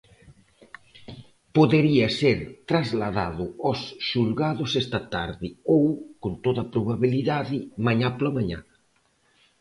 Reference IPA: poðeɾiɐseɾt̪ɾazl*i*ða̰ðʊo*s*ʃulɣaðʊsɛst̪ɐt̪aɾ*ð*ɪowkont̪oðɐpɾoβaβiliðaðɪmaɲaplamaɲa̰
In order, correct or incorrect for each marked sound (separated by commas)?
incorrect, correct, correct